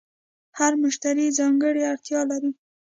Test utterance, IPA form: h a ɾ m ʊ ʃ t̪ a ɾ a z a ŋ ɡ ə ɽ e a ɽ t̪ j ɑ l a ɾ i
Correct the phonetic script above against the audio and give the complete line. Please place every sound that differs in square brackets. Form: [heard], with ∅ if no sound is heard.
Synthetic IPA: h a ɾ m ʊ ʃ t̪ a ɾ [i] z [ɑ] ŋ ɡ ə ɽ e a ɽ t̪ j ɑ l a ɾ i